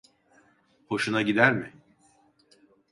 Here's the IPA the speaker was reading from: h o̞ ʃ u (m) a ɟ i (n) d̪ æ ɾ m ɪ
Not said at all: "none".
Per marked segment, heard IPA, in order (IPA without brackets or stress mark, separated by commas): n, none